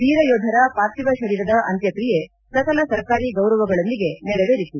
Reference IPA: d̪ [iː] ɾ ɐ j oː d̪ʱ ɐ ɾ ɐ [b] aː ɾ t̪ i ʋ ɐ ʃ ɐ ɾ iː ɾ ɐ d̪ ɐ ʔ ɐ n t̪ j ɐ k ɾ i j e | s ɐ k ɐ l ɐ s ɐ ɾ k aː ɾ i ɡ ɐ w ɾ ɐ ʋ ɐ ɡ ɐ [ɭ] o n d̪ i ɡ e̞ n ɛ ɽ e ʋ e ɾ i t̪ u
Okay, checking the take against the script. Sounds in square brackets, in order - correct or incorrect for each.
correct, incorrect, correct

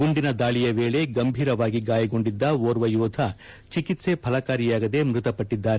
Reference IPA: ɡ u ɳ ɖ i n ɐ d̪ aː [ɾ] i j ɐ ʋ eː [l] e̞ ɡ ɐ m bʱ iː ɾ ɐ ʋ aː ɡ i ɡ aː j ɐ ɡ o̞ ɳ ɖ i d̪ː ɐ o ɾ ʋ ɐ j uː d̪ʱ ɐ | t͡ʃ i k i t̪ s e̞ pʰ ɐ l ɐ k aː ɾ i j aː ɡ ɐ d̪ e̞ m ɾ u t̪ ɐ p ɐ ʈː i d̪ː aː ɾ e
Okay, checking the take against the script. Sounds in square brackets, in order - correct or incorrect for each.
incorrect, incorrect

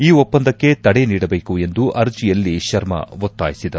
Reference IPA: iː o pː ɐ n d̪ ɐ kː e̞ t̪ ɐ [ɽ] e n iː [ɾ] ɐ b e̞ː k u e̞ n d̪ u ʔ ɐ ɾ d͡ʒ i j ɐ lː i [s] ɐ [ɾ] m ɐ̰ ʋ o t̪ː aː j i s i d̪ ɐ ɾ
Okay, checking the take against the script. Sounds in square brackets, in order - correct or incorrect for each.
correct, incorrect, incorrect, correct

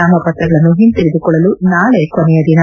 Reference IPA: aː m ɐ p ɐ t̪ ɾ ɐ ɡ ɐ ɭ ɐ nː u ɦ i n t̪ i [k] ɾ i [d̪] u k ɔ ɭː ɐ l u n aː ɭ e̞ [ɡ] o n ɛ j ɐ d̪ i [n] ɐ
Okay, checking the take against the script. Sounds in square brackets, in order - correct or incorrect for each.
incorrect, correct, incorrect, correct

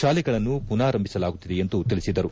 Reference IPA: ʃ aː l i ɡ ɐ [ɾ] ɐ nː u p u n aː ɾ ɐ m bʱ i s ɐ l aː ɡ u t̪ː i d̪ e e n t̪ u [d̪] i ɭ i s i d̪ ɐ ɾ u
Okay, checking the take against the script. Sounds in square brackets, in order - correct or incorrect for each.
incorrect, incorrect

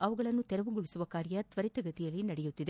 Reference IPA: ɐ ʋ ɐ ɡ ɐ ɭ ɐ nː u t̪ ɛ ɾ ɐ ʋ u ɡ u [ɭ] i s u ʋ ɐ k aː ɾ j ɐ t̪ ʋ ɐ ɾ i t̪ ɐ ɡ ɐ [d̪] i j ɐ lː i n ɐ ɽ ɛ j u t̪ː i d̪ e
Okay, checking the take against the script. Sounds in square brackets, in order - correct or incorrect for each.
correct, incorrect

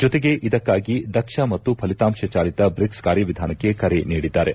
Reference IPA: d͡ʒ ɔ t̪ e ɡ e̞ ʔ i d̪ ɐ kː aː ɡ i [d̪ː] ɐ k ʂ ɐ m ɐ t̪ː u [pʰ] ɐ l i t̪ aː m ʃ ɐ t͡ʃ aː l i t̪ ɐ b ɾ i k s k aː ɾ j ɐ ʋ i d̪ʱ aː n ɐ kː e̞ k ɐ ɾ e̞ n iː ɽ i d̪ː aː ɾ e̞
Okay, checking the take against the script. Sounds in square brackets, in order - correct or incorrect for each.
incorrect, correct

